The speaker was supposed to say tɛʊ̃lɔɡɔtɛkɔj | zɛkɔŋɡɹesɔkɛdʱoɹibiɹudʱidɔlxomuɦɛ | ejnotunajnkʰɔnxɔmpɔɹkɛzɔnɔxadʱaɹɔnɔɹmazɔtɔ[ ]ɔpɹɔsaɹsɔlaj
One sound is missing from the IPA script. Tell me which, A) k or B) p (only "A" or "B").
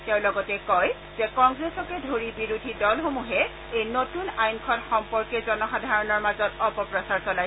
B